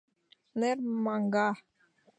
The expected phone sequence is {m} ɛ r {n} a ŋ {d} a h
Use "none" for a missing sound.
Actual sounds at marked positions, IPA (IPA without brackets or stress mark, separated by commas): n, m, ɡ